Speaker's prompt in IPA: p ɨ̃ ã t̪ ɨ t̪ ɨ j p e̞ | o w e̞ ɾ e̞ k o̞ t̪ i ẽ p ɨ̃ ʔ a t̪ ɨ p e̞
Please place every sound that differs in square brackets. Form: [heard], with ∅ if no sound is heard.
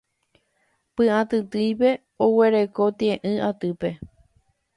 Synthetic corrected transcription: p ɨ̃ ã t̪ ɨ t̪ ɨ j p e̞ | o w e̞ ɾ e̞ k o̞ t̪ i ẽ [ʔ] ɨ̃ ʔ a t̪ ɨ p e̞